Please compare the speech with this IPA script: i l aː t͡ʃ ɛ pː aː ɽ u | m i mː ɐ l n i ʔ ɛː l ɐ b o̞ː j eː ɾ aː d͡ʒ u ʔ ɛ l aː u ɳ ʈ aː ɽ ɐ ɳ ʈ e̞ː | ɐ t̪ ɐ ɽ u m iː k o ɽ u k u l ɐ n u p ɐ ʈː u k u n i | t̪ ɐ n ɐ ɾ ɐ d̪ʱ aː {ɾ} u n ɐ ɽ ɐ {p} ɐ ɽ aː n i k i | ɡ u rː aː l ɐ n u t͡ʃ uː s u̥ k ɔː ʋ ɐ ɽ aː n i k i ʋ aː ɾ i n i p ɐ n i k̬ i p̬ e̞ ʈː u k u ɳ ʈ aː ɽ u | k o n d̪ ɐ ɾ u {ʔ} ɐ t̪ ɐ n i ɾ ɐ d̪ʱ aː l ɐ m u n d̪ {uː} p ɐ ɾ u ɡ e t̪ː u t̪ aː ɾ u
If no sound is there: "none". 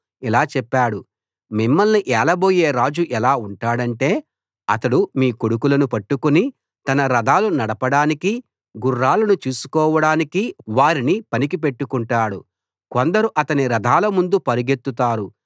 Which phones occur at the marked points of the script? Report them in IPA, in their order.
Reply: l, p, ʔ, u

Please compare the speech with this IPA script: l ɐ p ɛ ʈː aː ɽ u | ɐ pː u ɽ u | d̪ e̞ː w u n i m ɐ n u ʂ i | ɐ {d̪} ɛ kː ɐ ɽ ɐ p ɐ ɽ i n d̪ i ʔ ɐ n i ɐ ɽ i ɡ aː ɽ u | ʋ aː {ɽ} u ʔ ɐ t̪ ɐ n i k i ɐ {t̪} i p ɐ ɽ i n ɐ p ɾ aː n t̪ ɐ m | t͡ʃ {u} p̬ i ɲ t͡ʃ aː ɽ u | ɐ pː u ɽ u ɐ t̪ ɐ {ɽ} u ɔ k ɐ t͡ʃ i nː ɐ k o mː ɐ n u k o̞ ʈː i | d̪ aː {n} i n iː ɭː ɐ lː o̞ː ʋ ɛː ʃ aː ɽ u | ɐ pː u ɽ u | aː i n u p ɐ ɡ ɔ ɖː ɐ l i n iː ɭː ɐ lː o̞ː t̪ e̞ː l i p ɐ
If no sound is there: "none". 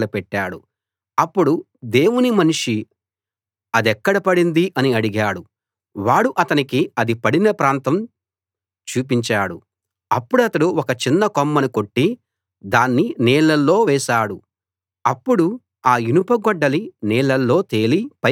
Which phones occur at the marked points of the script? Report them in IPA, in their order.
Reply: d̪, ɽ, d̪, uː, ɽ, nː

